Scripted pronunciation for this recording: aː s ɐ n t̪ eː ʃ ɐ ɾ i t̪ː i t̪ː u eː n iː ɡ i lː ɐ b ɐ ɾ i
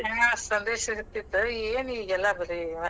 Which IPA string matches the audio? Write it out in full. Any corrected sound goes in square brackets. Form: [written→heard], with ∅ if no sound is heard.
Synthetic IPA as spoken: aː s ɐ n [t̪→d̪] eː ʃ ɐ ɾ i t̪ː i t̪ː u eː n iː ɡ [i→ɛ] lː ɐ b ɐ ɾ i